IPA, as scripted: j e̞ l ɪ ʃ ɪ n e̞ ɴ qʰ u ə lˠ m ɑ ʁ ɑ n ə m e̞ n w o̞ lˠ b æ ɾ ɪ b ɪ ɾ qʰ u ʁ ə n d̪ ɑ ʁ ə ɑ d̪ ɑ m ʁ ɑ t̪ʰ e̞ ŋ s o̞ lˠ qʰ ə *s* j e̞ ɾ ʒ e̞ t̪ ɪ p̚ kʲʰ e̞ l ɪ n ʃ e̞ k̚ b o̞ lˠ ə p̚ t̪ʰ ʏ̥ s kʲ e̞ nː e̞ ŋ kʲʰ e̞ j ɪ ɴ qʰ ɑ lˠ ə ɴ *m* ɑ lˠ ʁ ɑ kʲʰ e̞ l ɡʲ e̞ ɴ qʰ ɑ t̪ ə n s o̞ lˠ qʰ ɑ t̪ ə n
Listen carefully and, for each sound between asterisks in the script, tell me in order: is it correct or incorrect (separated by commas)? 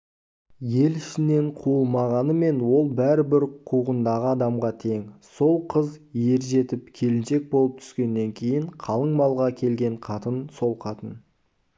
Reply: incorrect, correct